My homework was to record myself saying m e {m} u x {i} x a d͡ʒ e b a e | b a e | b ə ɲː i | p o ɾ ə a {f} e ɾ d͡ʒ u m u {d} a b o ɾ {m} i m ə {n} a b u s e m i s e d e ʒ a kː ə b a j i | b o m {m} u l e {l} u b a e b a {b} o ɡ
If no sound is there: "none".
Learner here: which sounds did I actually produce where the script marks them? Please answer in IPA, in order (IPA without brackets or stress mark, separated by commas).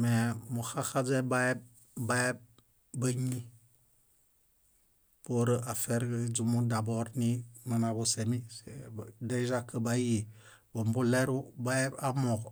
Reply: m, a, f, d, n, n, b, ɾ, m